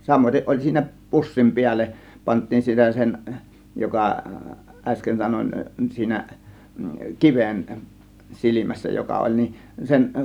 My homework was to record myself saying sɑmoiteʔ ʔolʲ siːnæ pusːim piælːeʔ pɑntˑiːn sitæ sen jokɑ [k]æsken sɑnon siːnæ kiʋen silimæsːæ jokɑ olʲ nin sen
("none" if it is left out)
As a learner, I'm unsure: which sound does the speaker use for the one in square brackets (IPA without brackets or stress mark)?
ʔ